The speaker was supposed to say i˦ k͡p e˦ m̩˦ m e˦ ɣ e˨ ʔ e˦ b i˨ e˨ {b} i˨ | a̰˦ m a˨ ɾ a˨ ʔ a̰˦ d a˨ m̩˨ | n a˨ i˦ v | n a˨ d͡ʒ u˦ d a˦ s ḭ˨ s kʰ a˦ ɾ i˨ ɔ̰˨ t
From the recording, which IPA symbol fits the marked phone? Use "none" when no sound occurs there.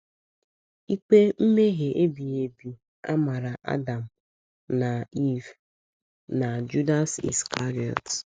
b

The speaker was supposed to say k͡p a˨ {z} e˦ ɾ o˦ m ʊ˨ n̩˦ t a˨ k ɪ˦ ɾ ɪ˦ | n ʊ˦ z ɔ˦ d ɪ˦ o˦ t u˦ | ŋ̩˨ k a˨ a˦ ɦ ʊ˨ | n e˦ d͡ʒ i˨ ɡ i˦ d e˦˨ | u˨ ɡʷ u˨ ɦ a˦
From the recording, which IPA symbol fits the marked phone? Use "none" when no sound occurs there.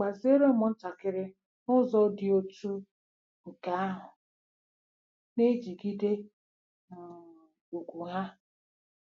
z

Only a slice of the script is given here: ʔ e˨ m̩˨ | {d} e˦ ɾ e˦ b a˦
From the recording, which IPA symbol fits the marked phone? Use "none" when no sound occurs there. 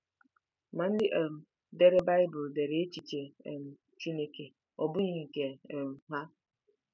d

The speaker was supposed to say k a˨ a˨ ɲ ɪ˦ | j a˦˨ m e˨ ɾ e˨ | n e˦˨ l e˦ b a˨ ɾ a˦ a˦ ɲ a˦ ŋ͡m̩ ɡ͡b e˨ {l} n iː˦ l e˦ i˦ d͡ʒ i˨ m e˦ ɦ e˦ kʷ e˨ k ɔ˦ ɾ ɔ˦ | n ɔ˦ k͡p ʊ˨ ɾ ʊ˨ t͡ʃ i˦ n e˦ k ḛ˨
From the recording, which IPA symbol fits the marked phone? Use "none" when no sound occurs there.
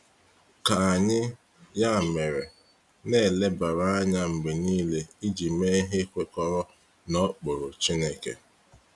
none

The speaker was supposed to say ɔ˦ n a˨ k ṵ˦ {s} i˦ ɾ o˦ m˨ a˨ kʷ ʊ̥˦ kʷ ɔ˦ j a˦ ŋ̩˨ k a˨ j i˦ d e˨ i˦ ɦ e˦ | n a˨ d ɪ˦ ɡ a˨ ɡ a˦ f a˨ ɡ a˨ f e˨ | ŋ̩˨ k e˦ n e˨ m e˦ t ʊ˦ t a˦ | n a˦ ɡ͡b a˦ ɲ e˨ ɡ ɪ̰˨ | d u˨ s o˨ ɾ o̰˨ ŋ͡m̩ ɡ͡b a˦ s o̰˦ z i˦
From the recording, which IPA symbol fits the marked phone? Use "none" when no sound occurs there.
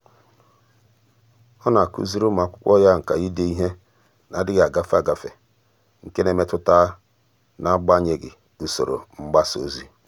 z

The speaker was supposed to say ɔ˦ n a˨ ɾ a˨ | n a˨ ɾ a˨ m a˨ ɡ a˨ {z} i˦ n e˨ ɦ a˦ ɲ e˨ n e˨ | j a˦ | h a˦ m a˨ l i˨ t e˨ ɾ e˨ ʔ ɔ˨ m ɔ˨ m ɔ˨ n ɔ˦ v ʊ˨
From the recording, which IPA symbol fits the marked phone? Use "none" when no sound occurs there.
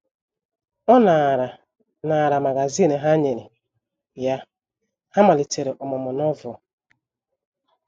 z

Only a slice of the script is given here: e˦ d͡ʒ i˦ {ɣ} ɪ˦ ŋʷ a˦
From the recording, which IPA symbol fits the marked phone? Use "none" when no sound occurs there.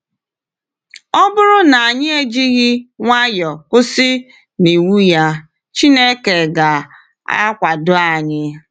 ɣ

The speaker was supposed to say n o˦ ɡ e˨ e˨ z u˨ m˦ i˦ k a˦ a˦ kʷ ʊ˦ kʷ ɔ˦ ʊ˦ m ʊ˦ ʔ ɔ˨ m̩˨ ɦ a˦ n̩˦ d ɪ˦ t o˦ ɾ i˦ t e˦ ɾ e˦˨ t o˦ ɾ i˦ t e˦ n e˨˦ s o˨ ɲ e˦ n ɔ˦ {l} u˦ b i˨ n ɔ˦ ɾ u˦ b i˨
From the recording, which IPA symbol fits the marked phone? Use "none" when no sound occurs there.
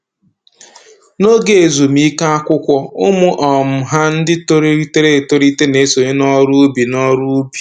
ɾ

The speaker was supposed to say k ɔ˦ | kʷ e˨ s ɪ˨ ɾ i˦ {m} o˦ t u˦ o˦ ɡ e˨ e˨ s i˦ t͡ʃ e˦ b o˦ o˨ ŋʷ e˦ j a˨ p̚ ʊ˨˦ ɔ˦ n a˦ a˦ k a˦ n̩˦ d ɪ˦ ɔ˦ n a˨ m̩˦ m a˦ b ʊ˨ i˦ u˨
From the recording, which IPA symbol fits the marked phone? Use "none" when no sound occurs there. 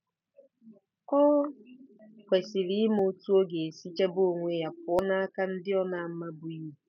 m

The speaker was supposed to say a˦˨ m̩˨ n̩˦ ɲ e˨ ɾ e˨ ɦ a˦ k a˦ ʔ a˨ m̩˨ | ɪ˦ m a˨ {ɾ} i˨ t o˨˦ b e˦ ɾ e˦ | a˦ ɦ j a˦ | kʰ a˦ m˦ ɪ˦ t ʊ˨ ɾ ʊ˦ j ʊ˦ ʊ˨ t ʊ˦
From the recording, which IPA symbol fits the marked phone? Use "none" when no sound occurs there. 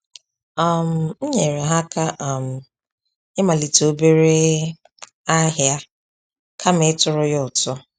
l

